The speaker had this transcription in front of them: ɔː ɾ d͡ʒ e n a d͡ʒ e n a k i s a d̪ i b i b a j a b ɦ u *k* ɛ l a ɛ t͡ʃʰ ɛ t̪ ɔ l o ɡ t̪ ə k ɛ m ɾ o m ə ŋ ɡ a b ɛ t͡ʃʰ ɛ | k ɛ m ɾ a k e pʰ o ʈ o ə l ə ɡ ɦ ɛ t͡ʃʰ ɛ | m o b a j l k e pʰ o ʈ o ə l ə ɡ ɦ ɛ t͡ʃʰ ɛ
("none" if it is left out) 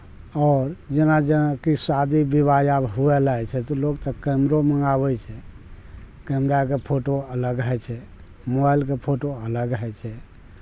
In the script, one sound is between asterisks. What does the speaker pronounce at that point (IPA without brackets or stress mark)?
none